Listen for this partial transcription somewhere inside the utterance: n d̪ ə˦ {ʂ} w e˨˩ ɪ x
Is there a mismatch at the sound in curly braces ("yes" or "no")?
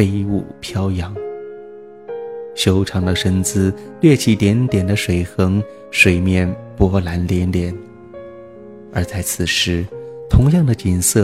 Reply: no